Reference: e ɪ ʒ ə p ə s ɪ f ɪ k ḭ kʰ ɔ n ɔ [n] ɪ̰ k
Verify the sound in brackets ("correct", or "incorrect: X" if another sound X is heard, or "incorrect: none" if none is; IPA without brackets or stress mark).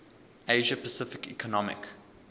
incorrect: m